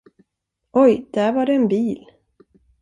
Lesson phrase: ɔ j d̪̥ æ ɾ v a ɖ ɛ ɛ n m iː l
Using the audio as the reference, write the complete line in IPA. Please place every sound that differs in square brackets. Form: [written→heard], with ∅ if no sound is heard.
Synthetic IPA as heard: ɔ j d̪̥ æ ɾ v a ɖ ɛ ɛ n [m→b] iː l